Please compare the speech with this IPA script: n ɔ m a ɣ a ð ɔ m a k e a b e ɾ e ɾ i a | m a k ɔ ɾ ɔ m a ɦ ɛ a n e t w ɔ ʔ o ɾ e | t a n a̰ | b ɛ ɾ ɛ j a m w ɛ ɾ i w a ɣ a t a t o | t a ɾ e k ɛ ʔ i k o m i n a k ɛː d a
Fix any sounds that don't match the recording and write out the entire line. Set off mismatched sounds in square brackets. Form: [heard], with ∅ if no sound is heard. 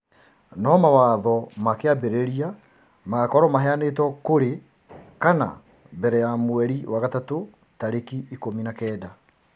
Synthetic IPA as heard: n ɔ m a [w] a ð ɔ m a k e a b e ɾ e ɾ i a | m a k ɔ ɾ ɔ m a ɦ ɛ a n e t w ɔ [k] o ɾ e | [k] a n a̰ | b ɛ ɾ ɛ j a m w ɛ ɾ i w a ɣ a t a t o | t a ɾ e k [i] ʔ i k o m i n a k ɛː d a